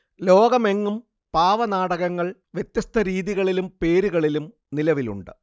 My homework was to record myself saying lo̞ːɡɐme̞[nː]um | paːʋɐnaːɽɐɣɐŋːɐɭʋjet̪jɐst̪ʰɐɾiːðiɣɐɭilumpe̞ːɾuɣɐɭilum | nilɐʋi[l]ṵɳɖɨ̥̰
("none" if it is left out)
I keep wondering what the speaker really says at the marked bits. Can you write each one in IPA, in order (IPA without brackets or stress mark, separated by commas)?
ŋː, l